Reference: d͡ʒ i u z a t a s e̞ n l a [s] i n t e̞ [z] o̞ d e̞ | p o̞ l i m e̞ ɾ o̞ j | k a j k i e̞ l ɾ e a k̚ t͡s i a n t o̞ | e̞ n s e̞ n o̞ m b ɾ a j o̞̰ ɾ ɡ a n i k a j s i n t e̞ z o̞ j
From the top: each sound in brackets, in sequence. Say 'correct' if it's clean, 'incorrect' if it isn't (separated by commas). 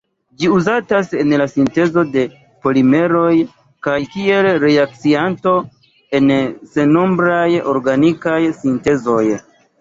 correct, correct